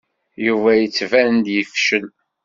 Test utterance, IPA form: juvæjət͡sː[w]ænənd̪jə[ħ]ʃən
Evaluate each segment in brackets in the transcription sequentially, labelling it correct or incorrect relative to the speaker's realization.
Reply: incorrect: v, incorrect: f

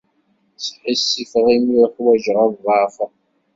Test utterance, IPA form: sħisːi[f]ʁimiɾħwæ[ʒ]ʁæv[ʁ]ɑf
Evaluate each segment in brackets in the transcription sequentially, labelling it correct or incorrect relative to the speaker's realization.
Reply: correct, correct, correct

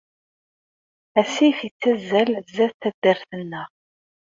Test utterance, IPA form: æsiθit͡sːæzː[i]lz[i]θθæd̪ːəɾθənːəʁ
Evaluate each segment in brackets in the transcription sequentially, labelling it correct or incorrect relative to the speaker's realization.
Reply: incorrect: æ, incorrect: æ

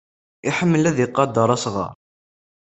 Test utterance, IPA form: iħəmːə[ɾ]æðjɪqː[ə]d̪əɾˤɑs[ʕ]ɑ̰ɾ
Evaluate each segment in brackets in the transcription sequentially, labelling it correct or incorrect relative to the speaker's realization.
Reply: incorrect: l, incorrect: ɑ, incorrect: ʁ

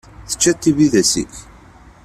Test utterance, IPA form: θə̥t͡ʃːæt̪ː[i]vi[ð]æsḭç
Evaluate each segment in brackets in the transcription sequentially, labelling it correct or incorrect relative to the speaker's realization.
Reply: correct, correct

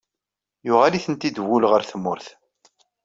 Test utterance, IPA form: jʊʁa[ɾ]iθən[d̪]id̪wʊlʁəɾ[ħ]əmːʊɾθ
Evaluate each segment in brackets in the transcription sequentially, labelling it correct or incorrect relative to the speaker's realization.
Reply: incorrect: l, incorrect: t̪, incorrect: θ

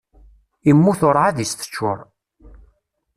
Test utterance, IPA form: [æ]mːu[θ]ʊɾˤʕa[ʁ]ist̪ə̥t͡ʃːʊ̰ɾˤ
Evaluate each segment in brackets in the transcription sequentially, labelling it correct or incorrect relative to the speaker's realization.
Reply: incorrect: i, correct, incorrect: ð

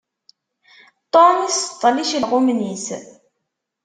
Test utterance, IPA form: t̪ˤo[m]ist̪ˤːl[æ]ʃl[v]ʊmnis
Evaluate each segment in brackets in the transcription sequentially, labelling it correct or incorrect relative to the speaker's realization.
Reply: incorrect: n, incorrect: i, incorrect: ʁ

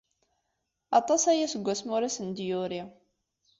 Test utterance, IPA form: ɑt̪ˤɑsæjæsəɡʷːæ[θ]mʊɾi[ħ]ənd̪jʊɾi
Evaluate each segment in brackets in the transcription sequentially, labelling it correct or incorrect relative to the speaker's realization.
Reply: incorrect: s, incorrect: s

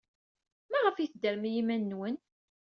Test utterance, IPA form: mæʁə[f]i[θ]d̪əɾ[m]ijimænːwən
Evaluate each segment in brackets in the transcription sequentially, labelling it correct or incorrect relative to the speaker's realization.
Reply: correct, correct, correct

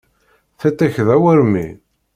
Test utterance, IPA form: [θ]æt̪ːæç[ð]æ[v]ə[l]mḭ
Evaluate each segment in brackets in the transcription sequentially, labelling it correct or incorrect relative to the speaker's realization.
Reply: correct, correct, incorrect: w, incorrect: ɾ

